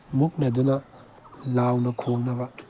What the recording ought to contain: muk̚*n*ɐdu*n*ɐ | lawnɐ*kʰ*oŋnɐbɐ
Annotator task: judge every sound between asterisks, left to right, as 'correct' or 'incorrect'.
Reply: correct, correct, correct

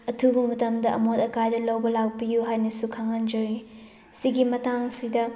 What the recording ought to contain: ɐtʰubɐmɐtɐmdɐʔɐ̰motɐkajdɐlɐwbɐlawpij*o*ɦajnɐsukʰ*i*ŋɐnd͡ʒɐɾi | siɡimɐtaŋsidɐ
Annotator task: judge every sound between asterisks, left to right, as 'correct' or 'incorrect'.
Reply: incorrect, incorrect

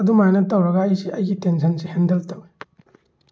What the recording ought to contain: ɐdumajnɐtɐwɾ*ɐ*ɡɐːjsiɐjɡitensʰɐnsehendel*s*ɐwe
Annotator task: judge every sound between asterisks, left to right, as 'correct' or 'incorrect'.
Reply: correct, incorrect

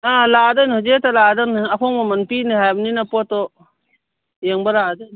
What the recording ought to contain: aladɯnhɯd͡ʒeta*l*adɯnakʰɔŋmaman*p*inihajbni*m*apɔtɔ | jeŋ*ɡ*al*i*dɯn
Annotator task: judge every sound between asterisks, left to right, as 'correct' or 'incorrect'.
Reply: correct, correct, incorrect, incorrect, incorrect

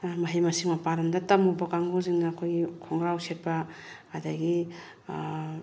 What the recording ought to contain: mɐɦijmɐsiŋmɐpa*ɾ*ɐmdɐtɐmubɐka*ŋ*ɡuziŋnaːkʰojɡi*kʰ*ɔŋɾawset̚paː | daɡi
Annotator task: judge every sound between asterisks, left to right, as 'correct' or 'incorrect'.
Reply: correct, correct, correct

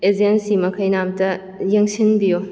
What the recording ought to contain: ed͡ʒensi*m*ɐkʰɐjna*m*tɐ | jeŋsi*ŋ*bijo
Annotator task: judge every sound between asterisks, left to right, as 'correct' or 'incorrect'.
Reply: correct, correct, incorrect

